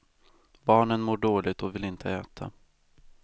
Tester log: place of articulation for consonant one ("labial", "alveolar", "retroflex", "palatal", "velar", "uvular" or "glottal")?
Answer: labial